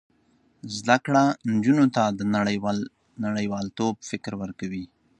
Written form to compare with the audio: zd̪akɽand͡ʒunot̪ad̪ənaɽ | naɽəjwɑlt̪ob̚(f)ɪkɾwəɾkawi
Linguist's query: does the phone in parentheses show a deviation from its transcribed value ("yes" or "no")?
no